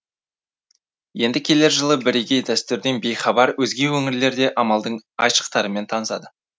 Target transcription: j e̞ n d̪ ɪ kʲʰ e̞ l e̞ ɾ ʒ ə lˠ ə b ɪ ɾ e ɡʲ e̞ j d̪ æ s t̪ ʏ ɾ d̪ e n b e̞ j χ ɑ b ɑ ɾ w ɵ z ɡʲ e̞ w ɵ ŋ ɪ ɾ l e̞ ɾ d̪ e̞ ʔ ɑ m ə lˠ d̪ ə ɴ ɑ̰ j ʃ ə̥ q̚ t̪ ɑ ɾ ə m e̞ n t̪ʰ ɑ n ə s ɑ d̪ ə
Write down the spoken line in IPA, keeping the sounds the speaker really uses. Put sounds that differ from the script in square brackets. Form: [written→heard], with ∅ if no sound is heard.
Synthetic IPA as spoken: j e̞ n d̪ ɪ kʲʰ e̞ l e̞ ɾ ʒ ə lˠ ə b ɪ ɾ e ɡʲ e̞ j d̪ æ s t̪ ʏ ɾ d̪ e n b e̞ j χ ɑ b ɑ ɾ w ɵ z ɡʲ e̞ w ɵ ŋ ɪ ɾ l e̞ ɾ d̪ e̞ ʔ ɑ m [ə→ɑ] lˠ d̪ ə ɴ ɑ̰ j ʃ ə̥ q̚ t̪ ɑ ɾ ə m e̞ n t̪ʰ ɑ n ə s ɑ d̪ ə